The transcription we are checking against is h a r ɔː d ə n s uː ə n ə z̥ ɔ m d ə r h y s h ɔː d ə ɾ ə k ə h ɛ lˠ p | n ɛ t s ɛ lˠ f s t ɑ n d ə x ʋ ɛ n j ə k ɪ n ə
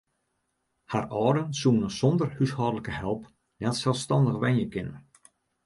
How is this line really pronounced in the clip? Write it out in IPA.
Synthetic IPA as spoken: h a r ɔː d ə n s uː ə n ə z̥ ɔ n d ə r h y s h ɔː d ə l ə k ə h ɛ lˠ p | n ɛ t s ɛ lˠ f s t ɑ n d ə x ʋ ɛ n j ə k ɪ n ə